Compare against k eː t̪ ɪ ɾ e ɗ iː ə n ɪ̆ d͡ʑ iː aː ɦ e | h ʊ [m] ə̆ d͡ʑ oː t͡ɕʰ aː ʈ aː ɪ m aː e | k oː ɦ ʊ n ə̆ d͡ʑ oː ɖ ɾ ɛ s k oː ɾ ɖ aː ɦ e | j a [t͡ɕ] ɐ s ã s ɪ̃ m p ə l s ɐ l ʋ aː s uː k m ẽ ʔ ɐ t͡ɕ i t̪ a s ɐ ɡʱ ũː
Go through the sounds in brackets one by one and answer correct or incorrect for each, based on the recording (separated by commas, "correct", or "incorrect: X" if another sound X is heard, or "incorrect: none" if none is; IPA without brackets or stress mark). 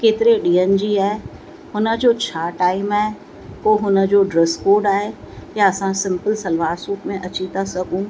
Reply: incorrect: n, incorrect: none